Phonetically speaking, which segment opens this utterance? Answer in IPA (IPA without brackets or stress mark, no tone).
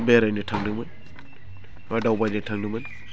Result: b